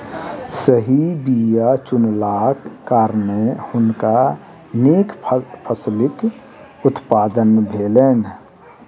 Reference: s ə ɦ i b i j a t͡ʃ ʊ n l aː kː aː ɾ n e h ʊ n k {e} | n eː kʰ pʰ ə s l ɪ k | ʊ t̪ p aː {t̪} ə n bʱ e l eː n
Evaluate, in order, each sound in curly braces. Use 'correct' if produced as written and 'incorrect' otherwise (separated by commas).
incorrect, incorrect